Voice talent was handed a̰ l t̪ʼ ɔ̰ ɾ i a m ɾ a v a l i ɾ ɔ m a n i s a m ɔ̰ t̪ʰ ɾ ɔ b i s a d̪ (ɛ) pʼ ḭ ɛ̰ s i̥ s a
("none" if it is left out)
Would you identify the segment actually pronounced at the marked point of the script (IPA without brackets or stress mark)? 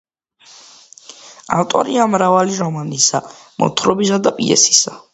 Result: a